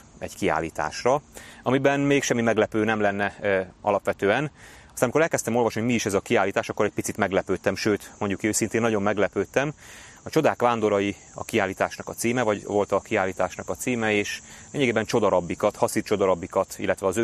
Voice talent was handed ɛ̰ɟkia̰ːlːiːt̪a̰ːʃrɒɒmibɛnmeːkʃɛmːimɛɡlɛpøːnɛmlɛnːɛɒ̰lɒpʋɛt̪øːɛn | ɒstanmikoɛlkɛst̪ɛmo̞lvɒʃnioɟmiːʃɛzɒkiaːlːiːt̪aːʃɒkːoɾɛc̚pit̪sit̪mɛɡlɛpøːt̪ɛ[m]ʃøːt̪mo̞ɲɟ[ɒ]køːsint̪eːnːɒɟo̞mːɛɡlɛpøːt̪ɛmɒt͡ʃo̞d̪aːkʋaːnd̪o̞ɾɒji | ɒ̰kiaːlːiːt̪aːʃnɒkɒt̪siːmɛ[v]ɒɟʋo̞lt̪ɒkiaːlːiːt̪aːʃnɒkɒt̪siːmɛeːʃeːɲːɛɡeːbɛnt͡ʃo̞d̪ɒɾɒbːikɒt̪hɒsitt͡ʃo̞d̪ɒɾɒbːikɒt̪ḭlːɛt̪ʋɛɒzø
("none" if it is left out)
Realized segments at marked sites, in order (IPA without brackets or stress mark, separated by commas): m, u, v